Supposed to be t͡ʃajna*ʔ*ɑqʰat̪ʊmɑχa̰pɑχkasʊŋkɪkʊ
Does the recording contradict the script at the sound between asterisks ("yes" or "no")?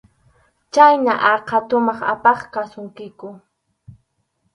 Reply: no